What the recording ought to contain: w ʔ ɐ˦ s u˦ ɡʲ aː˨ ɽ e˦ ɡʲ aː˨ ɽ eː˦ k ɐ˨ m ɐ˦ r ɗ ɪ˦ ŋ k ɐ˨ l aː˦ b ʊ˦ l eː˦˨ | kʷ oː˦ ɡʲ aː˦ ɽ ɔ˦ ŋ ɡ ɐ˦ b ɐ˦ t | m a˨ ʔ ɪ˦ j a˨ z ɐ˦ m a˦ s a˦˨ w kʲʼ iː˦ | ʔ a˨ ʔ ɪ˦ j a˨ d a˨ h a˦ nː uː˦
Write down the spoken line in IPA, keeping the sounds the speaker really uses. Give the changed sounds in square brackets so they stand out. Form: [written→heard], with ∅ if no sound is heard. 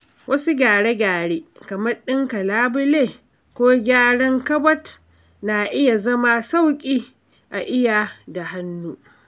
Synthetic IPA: w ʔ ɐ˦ s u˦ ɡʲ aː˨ ɽ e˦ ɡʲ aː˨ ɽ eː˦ k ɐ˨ m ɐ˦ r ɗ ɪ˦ ŋ k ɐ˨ l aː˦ b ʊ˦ l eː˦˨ | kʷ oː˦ ɡʲ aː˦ ɽ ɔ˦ ŋ [ɡ→k] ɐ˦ b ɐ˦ t | [m→n] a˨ ʔ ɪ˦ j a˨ z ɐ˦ m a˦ s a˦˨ w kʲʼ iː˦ | ʔ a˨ ʔ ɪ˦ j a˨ d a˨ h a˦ nː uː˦